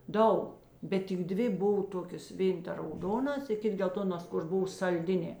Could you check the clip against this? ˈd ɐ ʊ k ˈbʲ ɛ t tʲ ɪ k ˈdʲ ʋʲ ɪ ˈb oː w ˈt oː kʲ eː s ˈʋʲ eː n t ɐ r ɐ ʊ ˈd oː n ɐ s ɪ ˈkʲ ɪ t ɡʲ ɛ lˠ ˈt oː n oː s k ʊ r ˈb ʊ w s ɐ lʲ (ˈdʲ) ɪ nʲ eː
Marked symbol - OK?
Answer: yes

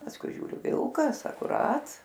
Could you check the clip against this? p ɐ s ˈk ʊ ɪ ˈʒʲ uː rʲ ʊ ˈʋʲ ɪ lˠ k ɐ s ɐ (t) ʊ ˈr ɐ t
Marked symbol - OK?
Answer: no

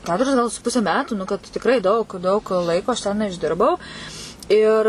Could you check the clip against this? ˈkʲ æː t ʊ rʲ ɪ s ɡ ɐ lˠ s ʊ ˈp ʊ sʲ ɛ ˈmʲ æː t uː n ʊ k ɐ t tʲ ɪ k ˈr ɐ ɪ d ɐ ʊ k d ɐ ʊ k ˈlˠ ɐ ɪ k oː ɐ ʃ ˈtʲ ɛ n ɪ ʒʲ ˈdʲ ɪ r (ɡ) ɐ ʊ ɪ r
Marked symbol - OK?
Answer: no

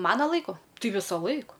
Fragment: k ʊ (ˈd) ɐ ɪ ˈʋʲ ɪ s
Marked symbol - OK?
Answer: no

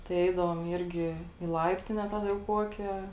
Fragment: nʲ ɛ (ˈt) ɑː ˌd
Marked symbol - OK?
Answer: yes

